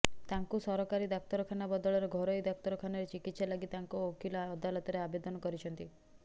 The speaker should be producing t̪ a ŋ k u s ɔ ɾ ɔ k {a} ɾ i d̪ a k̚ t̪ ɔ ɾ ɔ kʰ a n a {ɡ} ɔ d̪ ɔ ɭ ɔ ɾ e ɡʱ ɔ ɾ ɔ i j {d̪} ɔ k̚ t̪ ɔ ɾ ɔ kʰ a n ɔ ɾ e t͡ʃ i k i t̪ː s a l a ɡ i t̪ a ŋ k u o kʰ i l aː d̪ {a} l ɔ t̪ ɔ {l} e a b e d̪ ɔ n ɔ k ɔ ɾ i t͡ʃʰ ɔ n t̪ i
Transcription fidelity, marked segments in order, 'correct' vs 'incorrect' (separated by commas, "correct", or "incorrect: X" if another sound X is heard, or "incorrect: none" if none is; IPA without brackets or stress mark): correct, incorrect: b, correct, correct, incorrect: ɾ